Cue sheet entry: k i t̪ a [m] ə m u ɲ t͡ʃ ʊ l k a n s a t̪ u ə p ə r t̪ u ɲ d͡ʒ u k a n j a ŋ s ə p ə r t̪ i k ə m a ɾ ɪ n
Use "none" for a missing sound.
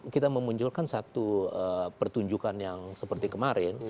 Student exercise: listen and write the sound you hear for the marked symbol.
m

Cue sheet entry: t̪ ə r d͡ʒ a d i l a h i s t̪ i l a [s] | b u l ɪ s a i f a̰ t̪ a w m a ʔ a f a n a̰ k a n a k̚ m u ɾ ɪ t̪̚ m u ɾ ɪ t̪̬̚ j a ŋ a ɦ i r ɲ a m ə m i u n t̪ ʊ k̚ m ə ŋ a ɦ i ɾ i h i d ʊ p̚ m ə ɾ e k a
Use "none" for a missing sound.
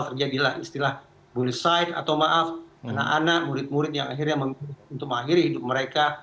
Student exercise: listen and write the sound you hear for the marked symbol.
h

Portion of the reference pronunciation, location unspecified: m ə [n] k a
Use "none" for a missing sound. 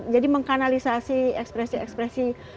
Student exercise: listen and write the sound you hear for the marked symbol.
ŋ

